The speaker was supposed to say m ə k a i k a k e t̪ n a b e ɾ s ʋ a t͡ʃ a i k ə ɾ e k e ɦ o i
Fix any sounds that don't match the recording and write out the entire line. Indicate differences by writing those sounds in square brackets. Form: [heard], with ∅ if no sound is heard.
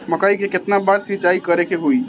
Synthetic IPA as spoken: m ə k a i k [e] k e t̪ n a b [a] ɾ s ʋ [i] t͡ʃ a i k ə ɾ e k e ɦ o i